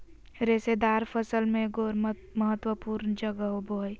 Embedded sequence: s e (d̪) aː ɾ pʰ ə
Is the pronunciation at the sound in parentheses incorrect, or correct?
correct